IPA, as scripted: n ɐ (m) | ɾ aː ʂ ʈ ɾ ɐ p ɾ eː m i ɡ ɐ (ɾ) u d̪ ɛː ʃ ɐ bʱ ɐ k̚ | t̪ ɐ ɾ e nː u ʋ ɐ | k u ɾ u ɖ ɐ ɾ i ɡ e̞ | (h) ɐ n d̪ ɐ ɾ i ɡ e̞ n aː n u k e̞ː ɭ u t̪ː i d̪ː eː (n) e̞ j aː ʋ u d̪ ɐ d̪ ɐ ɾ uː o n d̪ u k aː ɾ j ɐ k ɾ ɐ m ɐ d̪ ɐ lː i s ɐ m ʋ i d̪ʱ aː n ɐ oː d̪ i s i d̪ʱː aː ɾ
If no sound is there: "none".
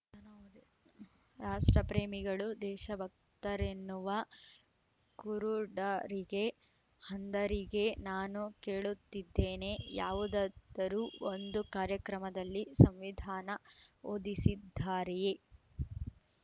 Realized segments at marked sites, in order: n, ɭ, h, n

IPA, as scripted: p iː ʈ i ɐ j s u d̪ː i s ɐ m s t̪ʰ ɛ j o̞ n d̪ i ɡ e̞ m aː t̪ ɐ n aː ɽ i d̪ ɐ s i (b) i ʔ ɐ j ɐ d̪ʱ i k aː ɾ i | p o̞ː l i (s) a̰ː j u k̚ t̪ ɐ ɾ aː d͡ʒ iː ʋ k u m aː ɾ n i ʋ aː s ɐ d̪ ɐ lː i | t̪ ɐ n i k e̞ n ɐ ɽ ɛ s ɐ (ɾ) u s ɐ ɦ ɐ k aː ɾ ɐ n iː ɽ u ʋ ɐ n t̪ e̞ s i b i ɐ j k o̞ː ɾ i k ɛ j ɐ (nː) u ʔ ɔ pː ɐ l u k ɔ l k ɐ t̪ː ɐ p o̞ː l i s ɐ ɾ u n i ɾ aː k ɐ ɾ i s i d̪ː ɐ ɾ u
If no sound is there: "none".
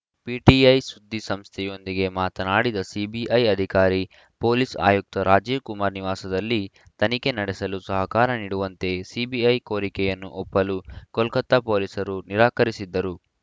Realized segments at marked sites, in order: b, s, l, nː

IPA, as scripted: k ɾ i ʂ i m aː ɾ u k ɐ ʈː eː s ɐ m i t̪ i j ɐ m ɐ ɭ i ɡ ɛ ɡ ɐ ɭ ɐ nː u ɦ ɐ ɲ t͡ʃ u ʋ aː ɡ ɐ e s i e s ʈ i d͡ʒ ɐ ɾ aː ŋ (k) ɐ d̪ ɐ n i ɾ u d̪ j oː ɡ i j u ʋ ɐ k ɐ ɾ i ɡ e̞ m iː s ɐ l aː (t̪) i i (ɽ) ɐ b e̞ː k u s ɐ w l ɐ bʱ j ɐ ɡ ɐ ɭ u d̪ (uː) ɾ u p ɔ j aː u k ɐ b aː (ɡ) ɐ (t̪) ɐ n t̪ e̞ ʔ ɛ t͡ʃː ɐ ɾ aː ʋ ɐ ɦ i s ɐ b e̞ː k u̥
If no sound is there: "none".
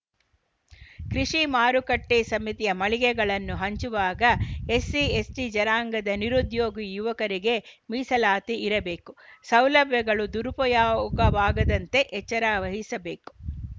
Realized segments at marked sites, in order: ɡ, t̪, ɾ, u, ɡ, d̪

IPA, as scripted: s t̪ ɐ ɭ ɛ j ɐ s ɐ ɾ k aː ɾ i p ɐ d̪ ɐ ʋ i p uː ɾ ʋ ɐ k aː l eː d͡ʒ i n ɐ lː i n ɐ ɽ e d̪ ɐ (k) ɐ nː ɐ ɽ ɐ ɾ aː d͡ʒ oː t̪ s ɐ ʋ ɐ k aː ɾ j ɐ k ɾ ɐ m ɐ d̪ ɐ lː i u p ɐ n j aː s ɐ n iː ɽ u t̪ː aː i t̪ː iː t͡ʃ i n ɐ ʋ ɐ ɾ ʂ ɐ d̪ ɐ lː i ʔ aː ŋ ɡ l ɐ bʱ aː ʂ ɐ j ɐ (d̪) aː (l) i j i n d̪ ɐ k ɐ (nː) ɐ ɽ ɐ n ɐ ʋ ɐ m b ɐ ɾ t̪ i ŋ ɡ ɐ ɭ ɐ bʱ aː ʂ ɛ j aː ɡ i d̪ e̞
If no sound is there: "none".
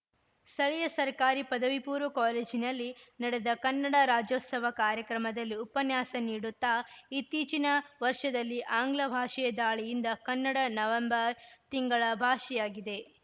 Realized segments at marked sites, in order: k, d̪, ɭ, nː

